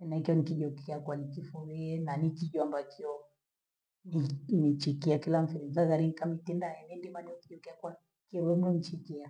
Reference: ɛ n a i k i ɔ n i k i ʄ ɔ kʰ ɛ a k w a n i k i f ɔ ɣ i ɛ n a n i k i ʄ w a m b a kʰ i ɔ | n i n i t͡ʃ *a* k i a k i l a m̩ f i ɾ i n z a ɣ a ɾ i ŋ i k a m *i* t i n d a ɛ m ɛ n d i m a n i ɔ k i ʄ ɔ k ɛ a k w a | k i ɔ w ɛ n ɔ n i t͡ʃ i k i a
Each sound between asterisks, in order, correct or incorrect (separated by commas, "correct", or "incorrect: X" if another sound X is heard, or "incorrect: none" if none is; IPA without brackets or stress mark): incorrect: i, correct